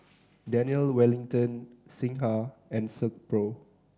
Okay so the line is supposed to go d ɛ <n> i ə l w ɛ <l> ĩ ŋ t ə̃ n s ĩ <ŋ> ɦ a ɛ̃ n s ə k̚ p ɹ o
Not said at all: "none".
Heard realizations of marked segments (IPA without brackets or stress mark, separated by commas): n, l, ŋ